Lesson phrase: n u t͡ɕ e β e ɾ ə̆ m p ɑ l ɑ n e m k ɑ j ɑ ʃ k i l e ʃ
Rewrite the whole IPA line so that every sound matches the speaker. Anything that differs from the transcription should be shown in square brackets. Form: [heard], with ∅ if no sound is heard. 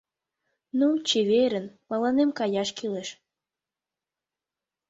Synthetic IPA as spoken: n u t͡ɕ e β e ɾ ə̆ [n] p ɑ l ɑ n e m k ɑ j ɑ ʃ k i l e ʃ